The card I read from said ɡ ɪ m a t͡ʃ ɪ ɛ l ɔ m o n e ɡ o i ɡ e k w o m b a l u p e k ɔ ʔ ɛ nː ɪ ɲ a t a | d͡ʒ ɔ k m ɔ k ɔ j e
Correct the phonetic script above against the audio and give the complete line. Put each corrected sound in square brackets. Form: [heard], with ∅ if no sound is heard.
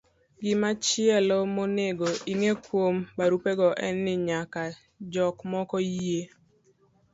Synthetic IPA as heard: ɡ ɪ m a t͡ʃ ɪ ɛ l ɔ m o n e ɡ o i [ŋ] e k w o m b a [ɾ] u p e [ɡ] ɔ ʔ ɛ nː ɪ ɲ a [k] a | d͡ʒ ɔ k m ɔ k ɔ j e